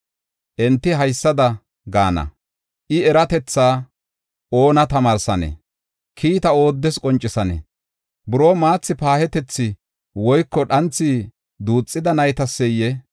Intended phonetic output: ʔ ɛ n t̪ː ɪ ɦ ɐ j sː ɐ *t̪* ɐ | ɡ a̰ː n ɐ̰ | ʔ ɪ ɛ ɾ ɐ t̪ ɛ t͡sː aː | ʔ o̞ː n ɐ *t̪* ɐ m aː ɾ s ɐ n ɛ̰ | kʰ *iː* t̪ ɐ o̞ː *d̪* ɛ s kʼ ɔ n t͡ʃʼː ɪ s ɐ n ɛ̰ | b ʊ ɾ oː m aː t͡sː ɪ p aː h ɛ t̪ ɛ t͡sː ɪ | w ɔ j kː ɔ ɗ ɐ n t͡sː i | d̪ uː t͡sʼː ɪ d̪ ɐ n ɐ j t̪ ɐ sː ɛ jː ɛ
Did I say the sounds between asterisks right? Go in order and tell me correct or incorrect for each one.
incorrect, correct, correct, incorrect

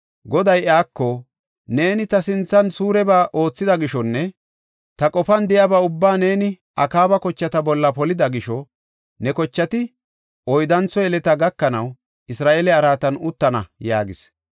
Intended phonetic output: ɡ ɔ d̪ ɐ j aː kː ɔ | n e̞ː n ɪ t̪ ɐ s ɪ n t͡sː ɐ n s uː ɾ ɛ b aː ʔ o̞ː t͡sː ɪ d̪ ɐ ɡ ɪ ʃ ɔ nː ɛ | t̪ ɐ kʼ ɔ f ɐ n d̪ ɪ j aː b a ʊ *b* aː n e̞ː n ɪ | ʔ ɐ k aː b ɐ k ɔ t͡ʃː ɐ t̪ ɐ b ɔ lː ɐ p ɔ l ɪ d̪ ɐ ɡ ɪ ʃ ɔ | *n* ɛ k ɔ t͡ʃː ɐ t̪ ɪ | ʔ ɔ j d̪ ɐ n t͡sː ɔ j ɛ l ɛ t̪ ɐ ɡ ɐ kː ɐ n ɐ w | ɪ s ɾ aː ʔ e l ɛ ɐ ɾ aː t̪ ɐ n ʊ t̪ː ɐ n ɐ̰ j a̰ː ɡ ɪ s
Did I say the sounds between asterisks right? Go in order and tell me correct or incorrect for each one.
incorrect, correct

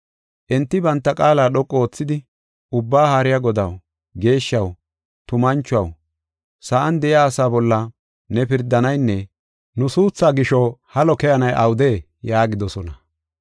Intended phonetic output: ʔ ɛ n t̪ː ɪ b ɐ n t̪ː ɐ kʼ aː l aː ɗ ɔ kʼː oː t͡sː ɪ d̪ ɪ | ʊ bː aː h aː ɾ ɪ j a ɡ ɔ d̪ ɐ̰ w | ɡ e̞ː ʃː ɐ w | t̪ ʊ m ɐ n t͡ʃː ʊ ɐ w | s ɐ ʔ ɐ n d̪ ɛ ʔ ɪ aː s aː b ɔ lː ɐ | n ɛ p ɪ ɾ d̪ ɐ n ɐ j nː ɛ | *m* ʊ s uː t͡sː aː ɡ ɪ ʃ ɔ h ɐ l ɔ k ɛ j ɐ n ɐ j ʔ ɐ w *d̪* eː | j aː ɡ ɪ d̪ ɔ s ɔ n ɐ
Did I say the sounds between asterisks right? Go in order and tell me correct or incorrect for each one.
incorrect, correct

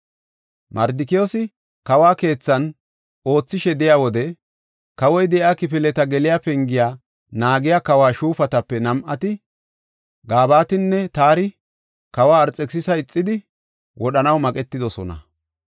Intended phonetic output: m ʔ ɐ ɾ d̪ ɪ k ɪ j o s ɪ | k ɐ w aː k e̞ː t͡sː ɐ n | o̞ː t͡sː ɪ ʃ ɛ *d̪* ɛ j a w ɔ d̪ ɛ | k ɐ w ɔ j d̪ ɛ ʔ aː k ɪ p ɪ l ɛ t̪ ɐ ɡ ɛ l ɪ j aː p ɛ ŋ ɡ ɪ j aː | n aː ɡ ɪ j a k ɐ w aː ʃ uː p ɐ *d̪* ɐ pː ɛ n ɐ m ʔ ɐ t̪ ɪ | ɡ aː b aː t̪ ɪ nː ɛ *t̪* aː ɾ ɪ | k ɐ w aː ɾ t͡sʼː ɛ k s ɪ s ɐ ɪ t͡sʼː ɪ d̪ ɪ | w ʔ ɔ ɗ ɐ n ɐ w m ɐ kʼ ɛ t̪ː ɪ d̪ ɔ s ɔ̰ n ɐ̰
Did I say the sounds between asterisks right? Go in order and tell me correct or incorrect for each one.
correct, incorrect, correct

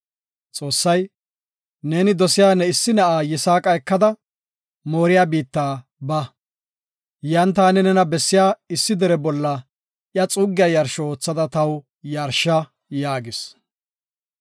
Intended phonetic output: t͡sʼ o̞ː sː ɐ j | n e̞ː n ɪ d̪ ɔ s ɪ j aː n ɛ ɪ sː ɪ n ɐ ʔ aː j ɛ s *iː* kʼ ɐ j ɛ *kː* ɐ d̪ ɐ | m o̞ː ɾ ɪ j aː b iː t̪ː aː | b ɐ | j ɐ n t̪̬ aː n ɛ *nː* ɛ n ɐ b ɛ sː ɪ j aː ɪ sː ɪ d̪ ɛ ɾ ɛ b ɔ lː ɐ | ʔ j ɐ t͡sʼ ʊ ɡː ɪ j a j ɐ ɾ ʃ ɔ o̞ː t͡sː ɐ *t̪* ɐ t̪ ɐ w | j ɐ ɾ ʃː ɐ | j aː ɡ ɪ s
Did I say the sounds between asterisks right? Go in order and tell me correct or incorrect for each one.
incorrect, correct, incorrect, incorrect

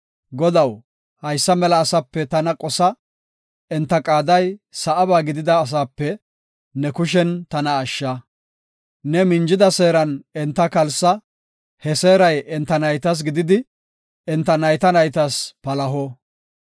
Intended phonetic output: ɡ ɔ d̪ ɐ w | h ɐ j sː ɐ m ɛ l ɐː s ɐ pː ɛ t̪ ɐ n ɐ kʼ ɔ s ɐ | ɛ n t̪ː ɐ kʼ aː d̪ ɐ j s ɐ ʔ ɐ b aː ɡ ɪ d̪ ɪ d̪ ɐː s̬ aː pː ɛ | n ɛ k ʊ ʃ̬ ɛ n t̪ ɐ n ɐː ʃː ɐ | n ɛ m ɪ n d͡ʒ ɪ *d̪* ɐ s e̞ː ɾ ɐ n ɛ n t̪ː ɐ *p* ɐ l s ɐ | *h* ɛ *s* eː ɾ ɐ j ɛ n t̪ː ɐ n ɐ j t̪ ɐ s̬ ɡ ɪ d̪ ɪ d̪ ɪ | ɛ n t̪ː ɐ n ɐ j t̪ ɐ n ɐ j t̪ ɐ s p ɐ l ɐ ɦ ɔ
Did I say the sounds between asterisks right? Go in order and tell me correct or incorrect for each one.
correct, incorrect, correct, correct

